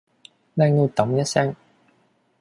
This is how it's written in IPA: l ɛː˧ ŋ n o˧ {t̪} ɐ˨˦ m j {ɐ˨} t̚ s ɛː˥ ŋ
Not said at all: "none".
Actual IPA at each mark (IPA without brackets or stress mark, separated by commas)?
t̪, ɐ˥